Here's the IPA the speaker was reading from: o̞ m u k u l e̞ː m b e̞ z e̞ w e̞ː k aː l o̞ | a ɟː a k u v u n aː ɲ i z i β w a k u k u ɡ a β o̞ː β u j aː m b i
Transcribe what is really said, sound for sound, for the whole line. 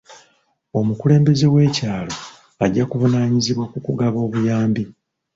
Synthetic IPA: o̞ m u k u l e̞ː m b e̞ z e̞ w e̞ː c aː l o̞ | a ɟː a k u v u n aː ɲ i z i β w a k u k u ɡ a β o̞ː β u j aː m b i